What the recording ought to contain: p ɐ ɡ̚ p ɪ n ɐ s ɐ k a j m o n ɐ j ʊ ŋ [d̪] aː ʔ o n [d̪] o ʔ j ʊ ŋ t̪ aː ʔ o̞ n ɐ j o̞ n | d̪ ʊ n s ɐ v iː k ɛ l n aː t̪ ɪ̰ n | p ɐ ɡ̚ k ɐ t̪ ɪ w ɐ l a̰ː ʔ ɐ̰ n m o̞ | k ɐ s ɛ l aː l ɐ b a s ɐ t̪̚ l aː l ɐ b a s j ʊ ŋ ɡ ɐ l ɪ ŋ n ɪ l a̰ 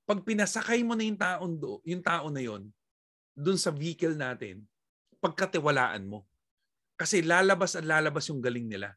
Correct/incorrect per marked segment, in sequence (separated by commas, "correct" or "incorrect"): incorrect, correct